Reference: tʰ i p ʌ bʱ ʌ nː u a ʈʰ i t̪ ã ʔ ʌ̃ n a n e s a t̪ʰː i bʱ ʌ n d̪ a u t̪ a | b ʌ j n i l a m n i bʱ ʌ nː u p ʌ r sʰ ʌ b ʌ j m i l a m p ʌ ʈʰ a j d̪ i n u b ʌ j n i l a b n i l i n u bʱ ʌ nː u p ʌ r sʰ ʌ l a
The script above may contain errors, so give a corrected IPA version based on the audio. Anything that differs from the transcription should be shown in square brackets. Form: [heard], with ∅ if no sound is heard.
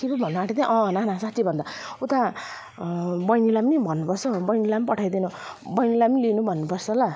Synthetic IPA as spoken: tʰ i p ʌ bʱ ʌ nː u a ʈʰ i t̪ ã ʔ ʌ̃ n a n [a] s a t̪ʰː i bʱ ʌ n d̪ a u t̪ a | b ʌ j n i l a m n i bʱ ʌ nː u p ʌ r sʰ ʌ b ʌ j [n] i l a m p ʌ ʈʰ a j d̪ i n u b ʌ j n i l a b n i l i n u bʱ ʌ nː u p ʌ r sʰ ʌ l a